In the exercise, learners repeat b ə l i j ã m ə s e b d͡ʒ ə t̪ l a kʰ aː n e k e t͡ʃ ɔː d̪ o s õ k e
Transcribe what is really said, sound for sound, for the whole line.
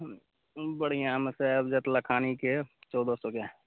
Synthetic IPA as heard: b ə ɽ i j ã m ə s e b d͡ʒ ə t̪ l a kʰ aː n i k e t͡ʃ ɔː d̪ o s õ k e